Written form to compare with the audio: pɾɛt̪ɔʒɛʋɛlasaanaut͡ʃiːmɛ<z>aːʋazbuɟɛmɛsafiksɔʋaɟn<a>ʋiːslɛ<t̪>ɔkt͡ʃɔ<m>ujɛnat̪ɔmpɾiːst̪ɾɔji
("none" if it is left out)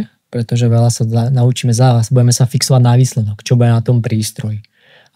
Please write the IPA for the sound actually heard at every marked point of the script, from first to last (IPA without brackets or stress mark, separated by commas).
z, a, d̪, b